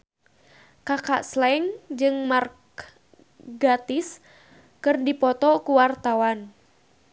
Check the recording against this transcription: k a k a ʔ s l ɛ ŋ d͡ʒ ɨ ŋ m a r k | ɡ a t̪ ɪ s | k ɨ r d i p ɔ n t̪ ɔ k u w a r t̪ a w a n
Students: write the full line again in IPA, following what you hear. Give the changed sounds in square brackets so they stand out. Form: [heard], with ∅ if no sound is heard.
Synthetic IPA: k a k a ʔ s l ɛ ŋ d͡ʒ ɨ ŋ m a r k | ɡ a t̪ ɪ s | k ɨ r d i p ɔ [∅] t̪ ɔ k u w a r t̪ a w a n